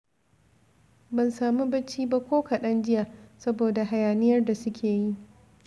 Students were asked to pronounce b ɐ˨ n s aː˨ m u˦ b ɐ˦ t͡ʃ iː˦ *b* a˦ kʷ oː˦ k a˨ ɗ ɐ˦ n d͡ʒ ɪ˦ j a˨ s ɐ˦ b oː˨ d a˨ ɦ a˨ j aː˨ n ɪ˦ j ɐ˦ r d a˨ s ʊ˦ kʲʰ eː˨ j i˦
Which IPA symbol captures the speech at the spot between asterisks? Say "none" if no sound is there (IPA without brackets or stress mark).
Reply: b